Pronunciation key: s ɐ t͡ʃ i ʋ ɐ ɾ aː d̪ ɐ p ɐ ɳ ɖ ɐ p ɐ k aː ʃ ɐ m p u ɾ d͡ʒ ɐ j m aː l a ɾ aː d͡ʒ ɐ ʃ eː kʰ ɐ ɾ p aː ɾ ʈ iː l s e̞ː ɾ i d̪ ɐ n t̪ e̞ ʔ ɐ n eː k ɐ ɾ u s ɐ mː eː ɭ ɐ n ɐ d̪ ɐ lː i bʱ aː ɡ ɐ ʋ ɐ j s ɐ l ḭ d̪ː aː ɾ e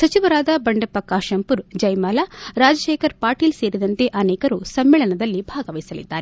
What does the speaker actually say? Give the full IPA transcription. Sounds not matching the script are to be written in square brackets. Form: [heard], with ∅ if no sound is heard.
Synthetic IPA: s ɐ t͡ʃ i ʋ ɐ ɾ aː d̪ ɐ [b] ɐ ɳ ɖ ɐ p ɐ k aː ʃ ɐ m p u ɾ d͡ʒ ɐ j m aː l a ɾ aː d͡ʒ ɐ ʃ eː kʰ ɐ ɾ p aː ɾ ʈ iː l s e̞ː ɾ i d̪ ɐ n t̪ e̞ ʔ ɐ n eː k ɐ ɾ u s ɐ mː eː ɭ ɐ n ɐ d̪ ɐ lː i bʱ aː ɡ ɐ ʋ ɐ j s ɐ l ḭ d̪ː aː ɾ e